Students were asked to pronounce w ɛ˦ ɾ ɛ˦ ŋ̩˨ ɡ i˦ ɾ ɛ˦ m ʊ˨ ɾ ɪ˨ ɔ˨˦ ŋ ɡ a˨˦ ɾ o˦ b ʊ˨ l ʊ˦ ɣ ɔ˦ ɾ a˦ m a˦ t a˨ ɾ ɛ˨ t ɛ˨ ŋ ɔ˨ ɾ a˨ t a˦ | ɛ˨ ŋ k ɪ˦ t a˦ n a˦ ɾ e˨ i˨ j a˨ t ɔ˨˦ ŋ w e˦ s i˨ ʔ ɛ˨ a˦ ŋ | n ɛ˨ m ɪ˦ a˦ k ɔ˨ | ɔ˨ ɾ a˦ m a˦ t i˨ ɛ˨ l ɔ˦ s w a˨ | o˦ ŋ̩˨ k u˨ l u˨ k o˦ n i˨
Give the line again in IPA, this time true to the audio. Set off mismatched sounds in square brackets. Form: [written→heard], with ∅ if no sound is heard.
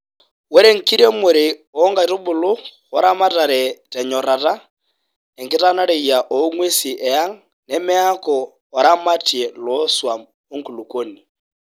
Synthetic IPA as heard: w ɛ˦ ɾ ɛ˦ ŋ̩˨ [ɡ→k] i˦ ɾ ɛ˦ m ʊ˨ ɾ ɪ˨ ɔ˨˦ ŋ ɡ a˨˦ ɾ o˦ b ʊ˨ l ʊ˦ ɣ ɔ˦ ɾ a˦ m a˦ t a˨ ɾ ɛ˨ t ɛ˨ [ŋ→ɲ] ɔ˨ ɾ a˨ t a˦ | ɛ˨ ŋ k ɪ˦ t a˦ n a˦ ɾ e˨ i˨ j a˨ [t→ʔ] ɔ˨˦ ŋ w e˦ s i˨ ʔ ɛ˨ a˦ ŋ | n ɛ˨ m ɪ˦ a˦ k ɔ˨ | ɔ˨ ɾ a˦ m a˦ t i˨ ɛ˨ l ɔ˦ s w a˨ | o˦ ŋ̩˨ k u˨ l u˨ k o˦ n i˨

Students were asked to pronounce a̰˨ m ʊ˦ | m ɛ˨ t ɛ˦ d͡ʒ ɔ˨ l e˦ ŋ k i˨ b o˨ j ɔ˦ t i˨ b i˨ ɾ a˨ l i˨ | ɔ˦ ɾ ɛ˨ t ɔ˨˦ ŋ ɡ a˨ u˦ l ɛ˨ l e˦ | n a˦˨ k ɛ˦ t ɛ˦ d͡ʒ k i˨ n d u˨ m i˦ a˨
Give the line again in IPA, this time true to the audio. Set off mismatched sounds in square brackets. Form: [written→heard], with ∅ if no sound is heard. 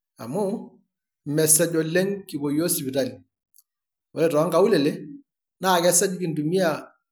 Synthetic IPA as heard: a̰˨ m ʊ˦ | m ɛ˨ [t→s] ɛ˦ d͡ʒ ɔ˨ l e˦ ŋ k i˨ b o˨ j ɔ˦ [t→s] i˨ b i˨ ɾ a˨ l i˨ | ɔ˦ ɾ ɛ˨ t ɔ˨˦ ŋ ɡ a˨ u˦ l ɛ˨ l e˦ | n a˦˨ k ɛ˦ [t→s] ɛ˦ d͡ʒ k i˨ n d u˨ m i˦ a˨

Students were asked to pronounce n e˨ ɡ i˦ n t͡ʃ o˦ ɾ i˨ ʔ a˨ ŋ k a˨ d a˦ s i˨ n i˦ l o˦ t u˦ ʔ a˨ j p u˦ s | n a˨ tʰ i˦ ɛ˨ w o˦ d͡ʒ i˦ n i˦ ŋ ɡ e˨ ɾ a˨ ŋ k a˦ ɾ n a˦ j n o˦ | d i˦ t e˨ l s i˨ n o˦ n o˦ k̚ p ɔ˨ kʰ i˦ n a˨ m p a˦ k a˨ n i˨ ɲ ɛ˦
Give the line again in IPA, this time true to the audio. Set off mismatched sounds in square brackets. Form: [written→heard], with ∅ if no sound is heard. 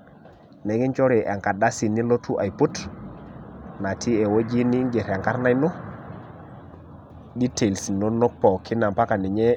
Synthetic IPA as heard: n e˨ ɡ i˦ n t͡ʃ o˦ ɾ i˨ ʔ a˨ ŋ k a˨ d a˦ s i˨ n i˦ l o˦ t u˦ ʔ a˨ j p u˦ [s→t] | n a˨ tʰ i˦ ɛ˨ w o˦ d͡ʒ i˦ n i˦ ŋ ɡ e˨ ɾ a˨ ŋ k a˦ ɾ n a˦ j n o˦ | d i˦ t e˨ l s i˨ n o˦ n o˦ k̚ p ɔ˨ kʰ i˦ n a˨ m p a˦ k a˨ n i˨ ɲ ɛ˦

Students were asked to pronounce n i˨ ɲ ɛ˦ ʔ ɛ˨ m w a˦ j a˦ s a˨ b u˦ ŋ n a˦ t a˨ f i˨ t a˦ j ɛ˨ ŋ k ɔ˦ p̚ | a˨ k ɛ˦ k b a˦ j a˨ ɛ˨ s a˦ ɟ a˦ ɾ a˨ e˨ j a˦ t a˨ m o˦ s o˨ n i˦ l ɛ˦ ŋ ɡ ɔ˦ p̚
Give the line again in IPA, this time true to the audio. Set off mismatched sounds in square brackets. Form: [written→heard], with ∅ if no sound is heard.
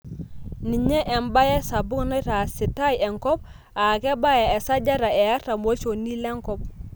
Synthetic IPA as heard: n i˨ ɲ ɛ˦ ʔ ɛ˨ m [w→b] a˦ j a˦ s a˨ b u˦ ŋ n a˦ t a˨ [f→s] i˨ t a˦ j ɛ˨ ŋ k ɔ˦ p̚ | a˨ k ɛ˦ [k→∅] b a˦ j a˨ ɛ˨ s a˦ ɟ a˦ ɾ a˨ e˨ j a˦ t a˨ m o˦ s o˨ n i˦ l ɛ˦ ŋ [ɡ→k] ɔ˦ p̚

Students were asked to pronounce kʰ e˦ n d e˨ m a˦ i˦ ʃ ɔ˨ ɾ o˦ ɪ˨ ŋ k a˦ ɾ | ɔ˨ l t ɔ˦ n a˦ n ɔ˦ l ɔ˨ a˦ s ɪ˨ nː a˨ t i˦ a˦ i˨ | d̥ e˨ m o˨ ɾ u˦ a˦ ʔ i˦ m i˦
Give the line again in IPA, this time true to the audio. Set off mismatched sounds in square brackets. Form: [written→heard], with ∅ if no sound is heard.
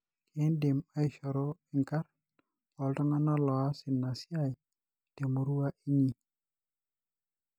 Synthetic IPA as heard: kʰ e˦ n d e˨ m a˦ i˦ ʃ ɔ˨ ɾ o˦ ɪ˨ ŋ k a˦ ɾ | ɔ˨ l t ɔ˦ [n→ŋ] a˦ n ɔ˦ l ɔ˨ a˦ s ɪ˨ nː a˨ [t→s] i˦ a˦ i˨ | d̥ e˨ m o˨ ɾ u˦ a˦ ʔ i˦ [m→ɲ] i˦

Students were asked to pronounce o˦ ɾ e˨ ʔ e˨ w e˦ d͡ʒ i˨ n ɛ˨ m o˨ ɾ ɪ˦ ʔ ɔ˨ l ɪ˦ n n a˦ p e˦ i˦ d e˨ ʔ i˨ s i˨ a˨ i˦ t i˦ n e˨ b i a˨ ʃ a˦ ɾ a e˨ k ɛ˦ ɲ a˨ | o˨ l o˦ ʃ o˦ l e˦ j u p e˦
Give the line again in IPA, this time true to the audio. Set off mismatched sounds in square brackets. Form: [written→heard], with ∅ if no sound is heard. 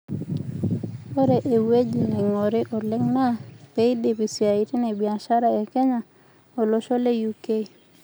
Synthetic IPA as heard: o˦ ɾ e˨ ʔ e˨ w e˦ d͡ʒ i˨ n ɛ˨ [m→ŋ] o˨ ɾ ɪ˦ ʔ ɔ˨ l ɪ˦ [n→ŋ] n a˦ p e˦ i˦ d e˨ [ʔ→p] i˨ s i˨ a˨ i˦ t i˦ n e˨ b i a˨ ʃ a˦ ɾ a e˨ k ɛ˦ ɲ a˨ | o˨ l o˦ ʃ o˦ l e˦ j u [p→k] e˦

